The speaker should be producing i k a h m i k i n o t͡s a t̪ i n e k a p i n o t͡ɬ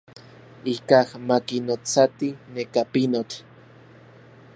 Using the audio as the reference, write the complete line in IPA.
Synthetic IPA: i k a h m a k i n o t͡s a t̪ i n e k a p i n o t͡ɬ

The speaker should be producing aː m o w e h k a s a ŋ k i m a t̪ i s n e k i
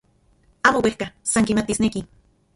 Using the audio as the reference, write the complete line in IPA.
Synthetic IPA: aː m o w e h k a s a ŋ k i m a t̪ i s n e k i

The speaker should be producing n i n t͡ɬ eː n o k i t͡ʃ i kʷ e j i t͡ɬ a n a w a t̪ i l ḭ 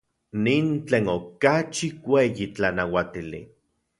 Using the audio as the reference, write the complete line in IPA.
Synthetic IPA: n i n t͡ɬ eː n o k a t͡ʃ i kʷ e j i t͡ɬ a n a w a t̪ i l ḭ

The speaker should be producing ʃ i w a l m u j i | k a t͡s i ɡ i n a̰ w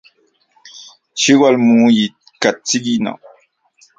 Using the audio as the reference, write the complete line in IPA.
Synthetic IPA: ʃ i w a l m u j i | k a t͡s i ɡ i n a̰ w

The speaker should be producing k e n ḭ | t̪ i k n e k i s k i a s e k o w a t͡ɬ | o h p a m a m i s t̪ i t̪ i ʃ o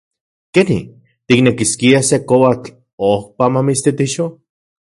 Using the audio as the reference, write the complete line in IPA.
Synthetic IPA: k e n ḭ | t̪ i k n e k i s k i a s e k o w a t͡ɬ | o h p a m a m i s t̪ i t̪ i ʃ o

